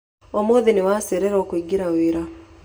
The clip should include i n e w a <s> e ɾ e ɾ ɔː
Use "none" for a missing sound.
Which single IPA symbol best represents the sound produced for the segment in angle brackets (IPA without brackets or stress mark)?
s